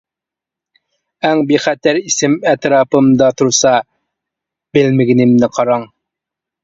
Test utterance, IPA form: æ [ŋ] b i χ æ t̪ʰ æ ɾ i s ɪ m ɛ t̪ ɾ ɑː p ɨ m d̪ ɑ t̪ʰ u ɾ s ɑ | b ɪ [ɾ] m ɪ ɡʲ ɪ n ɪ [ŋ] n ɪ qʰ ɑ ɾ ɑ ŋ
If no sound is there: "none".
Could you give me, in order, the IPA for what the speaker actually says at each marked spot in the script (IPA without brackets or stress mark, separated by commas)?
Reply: ŋ, l, m